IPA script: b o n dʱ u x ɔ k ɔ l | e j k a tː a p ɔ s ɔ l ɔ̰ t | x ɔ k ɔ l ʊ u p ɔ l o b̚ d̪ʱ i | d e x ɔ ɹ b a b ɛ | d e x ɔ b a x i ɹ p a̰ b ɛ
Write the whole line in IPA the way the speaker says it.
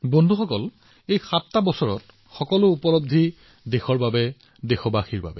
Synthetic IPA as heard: b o n dʱ u x ɔ k ɔ l | e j x a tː a b ɔ s ɔ ɹ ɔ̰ t | x ɔ k ɔ l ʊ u p ɔ l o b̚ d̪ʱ i | d e x ɔ ɹ b a b ɛ | d e x ɔ b a x i ɹ b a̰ b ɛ

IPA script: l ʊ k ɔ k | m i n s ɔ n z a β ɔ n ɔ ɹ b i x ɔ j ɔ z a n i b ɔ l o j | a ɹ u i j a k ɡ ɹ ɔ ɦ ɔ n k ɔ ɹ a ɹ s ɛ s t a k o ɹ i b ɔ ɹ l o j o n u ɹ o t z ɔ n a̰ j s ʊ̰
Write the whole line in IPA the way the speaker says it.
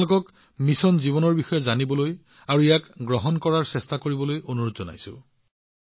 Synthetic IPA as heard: l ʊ k ɔ k | m i s ɔ n z i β ɔ n ɔ ɹ b i x ɔ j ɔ z a n i b ɔ l o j | a ɹ u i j a k ɡ ɹ ɔ ɦ ɔ n k ɔ ɹ a ɹ s ɛ s t a k o ɹ i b ɔ l o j o n u ɹ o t z ɔ n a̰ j s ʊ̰

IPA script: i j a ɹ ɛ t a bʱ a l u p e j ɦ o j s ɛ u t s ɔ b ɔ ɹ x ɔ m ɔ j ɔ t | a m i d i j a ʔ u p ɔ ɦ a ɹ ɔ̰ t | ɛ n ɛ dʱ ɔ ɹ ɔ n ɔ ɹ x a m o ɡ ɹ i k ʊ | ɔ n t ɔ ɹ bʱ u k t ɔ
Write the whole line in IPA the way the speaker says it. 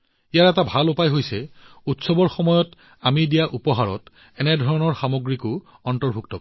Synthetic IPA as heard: i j a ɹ ɛ t a bʱ a l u p a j ɦ o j s ɛ u t s ɔ b ɔ ɹ x ɔ m ɔ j ɔ t | a m i d i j a ʔ u p ɔ ɦ a ɹ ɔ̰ t | ɛ n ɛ dʱ ɔ ɹ ɔ n ɔ ɹ x a m o ɡ ɹ i k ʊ | ɔ n t ɔ ɹ bʱ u k t ɔ

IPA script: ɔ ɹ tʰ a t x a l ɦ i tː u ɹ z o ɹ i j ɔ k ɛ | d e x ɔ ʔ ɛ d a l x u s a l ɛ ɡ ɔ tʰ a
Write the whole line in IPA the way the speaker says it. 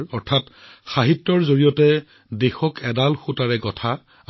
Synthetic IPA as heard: ɔ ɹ tʰ a t x a ɦ i tː ɔ ɹ z o ɹ i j ɔ t ɛ | d e x ɔ k ɛ d a l x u t a ɹ ɛ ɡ ɔ tʰ a

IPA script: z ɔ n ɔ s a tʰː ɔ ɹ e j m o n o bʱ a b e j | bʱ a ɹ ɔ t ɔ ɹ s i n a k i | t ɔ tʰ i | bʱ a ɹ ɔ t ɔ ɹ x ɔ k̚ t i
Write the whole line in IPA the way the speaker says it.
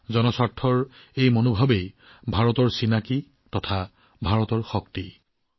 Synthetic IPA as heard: z ɔ n ɔ s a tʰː ɔ ɹ e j m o n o bʱ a b e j | bʱ a ɹ ɔ t ɔ ɹ s i n a k i | t ɔ tʰ a | bʱ a ɹ ɔ t ɔ ɹ x ɔ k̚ t i

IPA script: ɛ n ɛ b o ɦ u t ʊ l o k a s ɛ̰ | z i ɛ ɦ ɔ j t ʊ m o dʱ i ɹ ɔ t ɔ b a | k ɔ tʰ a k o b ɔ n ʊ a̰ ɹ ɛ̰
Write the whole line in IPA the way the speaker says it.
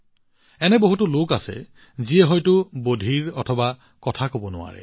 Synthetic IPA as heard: ɛ n ɛ b o ɦ u t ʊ l o k a s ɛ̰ | z i ɛ ɦ ɔ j t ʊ b o dʱ i ɹ ɔ tʰ ɔ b a | k ɔ tʰ a k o b ɔ n ʊ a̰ ɹ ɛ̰

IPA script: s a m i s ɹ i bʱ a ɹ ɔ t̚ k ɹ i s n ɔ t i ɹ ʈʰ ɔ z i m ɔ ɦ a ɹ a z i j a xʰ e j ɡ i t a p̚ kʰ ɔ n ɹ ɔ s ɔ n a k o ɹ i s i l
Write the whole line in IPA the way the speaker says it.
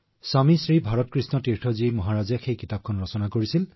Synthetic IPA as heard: s a m i s ɹ i bʱ a ɹ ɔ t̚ k ɹ i s n ɔ t i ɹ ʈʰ ɔ z i m ɔ ɦ a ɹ a z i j a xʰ e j k i t a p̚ kʰ ɔ n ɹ ɔ s ɔ n a k o ɹ i s i l

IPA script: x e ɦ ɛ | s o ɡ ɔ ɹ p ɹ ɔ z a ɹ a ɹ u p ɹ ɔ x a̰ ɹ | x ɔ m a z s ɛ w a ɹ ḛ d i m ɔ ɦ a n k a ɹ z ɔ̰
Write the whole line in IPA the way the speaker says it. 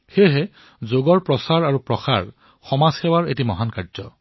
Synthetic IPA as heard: x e ɦ ɛ | z o ɡ ɔ ɹ p ɹ ɔ s a ɹ a ɹ u p ɹ ɔ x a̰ ɹ | x ɔ m a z x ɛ w a ɹ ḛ t i m ɔ ɦ a n k a ɹ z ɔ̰

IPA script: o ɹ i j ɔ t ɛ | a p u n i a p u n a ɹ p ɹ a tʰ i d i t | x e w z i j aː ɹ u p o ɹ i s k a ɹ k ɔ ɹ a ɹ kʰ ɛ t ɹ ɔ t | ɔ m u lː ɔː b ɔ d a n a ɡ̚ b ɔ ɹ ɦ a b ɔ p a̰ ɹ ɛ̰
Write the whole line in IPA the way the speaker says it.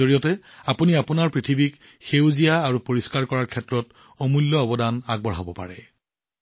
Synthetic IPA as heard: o ɹ i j ɔ t ɛ | a p u n i a p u n a ɹ p ɹ i tʰ i b i k | x e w z i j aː ɹ u p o ɹ i s k a ɹ k ɔ ɹ a ɹ kʰ ɛ t ɹ ɔ t | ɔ m u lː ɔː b ɔ d a n a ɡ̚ b ɔ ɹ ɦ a b ɔ p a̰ ɹ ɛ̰

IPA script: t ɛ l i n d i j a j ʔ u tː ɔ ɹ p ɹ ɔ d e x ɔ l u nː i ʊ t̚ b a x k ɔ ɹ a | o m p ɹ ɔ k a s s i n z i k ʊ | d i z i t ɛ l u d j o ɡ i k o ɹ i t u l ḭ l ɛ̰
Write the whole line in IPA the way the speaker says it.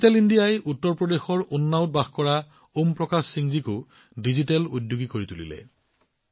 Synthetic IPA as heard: t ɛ l i n d i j a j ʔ u tː ɔ ɹ p ɹ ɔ d e x ɔ ɹ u nː a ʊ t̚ b a x k ɔ ɹ a | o m p ɹ ɔ k a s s i ŋ z i k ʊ | d i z i t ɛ l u d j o ɡ i k o ɹ i t u l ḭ l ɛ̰

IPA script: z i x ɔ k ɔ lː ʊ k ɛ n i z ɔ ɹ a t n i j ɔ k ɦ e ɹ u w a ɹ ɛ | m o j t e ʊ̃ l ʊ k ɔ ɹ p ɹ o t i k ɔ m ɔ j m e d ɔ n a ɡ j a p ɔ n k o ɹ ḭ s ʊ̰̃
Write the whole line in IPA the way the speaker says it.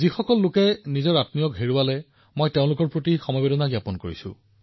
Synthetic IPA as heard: z i x ɔ k ɔ lː ʊ k ɛ n i z ɔ ɹ a t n i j ɔ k ɦ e ɹ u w a l ɛ | m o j t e ʊ̃ l ʊ k ɔ ɹ p ɹ o t i x ɔ m ɔ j b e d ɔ n a ɡ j a p ɔ n k o ɹ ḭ s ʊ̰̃

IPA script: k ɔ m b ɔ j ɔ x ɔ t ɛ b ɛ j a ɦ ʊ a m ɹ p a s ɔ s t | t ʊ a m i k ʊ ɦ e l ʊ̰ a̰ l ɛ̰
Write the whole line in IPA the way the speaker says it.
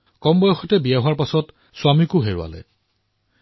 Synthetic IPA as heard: k ɔ m b ɔ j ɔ x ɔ t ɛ b i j a ɦ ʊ a ɹ p a s ɔ t | s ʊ a m i k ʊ ɦ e ɹ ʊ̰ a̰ l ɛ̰

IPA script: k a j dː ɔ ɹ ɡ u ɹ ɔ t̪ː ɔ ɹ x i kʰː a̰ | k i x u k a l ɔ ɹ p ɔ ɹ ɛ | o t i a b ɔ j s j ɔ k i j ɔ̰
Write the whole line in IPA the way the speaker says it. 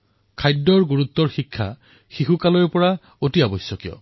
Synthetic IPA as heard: kʰ a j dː ɔ ɹ ɡ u ɹ u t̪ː ɔ ɹ x i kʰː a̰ | x i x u k a l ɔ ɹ p ɔ ɹ a | o t i a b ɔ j s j ɔ k i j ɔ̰

